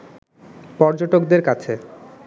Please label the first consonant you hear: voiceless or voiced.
voiceless